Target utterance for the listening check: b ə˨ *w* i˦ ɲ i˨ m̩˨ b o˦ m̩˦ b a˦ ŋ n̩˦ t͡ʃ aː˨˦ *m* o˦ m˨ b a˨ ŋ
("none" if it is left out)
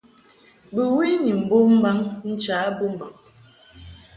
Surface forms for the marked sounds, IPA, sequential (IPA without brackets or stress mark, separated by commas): w, b